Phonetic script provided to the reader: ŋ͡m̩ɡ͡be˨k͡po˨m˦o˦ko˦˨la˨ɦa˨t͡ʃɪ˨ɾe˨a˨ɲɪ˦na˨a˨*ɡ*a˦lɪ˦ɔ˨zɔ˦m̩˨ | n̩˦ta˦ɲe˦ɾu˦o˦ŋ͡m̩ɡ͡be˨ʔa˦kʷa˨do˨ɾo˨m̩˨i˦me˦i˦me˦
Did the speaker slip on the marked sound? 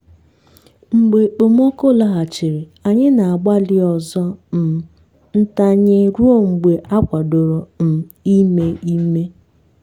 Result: yes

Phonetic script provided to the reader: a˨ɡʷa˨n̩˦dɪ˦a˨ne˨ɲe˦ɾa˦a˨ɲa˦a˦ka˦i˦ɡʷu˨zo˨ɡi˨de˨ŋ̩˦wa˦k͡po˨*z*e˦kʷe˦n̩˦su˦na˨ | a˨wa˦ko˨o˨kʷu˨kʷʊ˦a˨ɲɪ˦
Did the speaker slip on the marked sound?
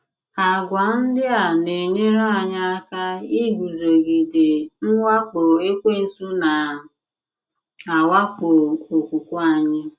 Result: yes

